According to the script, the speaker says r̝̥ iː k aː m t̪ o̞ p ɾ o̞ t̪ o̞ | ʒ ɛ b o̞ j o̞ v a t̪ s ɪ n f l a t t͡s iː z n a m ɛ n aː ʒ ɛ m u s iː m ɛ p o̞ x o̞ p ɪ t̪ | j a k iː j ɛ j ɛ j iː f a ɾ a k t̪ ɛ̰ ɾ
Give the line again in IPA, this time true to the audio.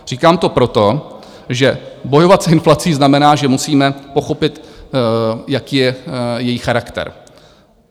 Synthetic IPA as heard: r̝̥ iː k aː m t̪ o̞ p ɾ o̞ t̪ o̞ | ʒ ɛ b o̞ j o̞ v a t̪ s ɪ n f l a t t͡s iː z n a m ɛ n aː ʒ ɛ m u s iː m ɛ p o̞ x o̞ p ɪ t̪ | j a k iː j ɛ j ɛ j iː x a ɾ a k t̪ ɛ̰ ɾ